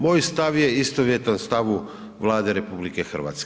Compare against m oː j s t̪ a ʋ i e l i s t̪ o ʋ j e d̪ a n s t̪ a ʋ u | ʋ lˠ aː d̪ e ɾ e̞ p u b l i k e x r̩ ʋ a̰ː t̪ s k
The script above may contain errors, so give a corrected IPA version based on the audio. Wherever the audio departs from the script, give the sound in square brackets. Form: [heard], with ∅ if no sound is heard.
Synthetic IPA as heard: m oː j s t̪ a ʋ [j] e [∅] i s t̪ o ʋ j e [t̪] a n s t̪ a ʋ u | ʋ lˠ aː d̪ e ɾ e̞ p u b l i k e x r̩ ʋ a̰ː t̪ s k